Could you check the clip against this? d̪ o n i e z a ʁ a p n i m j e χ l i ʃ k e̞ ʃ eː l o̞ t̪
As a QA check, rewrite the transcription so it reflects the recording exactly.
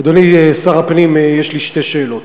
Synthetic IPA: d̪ o n i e s a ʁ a p n i m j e ʃ l i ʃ t e̞ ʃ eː l o̞ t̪